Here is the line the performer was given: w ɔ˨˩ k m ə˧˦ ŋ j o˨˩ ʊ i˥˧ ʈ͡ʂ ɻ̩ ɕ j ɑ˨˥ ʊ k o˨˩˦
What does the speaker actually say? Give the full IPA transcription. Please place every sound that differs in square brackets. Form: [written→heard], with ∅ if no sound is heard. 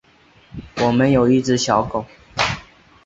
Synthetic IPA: w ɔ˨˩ [k→∅] m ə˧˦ [ŋ→n] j o˨˩ ʊ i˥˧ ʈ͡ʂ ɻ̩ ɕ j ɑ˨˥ ʊ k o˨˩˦